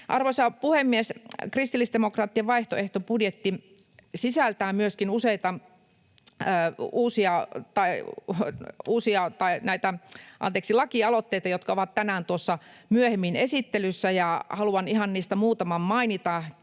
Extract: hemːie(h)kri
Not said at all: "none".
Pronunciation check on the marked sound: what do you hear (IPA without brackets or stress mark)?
s